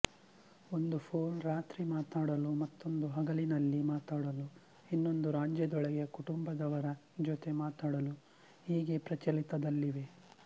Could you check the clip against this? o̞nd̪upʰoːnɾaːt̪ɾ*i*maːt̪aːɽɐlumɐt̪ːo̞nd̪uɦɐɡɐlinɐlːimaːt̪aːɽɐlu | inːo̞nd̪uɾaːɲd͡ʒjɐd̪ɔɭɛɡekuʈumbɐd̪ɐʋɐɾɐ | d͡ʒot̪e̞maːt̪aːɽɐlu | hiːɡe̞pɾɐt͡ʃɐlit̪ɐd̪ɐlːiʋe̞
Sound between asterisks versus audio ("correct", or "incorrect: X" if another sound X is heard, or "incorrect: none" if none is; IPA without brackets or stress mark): correct